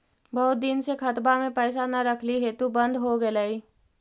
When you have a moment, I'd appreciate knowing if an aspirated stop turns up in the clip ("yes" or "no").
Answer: yes